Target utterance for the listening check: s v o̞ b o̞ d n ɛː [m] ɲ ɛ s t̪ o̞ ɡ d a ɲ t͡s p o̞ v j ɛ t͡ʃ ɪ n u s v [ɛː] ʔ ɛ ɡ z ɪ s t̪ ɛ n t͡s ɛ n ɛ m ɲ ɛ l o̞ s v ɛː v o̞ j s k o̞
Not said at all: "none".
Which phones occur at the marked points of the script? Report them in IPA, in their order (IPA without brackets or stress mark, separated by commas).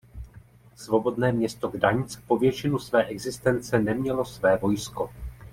m, ɛː